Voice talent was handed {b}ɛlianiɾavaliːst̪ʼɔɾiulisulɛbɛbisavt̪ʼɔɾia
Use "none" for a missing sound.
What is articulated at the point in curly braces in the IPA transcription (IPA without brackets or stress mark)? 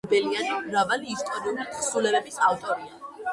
b